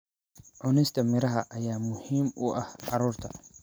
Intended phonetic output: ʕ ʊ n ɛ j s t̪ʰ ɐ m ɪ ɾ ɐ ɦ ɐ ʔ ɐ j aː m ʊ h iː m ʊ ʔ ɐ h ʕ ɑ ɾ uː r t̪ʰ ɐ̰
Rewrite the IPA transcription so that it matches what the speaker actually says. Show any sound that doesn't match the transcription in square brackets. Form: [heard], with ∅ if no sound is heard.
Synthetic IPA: ʕ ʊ n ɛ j s t̪ʰ ɐ m ɪ ɾ ɐ ɦ ɐ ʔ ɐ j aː m ʊ h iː m ʊ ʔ ɐ h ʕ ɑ ɾ uː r t̪ʰ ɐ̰